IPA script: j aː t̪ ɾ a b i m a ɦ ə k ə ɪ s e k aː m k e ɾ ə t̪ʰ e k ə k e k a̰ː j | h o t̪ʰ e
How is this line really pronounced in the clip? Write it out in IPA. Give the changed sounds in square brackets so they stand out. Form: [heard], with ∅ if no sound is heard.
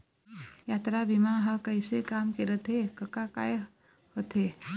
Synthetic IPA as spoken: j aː t̪ ɾ a b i m a ɦ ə k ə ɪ s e k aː m k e ɾ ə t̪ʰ e k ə k [a] k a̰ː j | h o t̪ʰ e